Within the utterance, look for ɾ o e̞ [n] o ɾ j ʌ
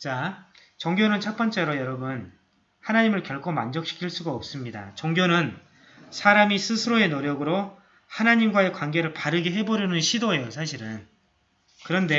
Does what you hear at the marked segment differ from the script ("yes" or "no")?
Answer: no